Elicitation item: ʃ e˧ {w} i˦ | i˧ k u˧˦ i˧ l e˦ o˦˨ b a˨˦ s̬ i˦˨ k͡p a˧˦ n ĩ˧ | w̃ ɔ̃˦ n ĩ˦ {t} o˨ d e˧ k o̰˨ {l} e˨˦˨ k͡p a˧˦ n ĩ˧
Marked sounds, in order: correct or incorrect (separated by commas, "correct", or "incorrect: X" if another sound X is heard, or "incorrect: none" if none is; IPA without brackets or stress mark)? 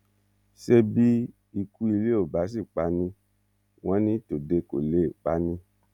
incorrect: b, correct, correct